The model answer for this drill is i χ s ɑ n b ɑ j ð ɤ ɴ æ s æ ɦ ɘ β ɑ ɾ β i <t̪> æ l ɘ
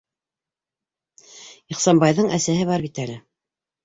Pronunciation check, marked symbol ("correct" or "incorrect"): correct